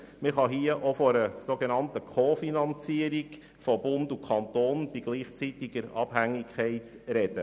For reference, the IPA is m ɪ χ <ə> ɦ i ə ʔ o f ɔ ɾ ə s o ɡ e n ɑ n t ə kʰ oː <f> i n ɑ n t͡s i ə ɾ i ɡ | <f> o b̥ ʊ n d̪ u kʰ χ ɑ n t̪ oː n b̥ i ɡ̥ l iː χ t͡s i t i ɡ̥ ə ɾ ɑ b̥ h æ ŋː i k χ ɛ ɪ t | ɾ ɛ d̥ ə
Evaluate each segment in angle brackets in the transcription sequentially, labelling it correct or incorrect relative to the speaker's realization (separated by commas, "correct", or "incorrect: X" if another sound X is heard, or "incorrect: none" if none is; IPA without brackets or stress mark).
incorrect: ɑ, correct, correct